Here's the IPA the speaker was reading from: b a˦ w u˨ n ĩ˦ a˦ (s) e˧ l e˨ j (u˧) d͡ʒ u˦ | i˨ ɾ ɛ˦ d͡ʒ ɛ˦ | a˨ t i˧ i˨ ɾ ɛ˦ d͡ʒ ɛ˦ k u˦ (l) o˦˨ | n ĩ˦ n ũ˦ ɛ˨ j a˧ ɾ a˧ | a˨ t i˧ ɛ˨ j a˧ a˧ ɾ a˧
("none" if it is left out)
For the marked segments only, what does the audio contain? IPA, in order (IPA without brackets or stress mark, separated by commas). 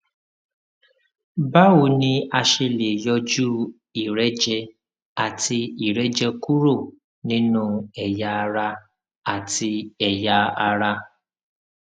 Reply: ʃ, ɔ˧, ɾ